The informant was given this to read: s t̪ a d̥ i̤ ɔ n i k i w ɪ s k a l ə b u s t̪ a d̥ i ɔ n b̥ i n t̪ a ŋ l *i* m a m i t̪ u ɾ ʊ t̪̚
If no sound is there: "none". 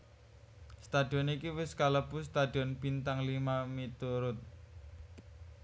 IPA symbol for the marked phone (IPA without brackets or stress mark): i